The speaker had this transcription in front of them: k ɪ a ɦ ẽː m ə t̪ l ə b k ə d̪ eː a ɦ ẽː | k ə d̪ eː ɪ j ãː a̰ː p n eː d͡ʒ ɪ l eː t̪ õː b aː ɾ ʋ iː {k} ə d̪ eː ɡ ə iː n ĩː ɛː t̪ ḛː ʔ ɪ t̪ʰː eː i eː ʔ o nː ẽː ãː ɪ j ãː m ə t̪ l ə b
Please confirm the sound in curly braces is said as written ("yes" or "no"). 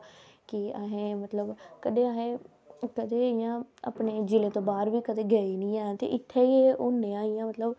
yes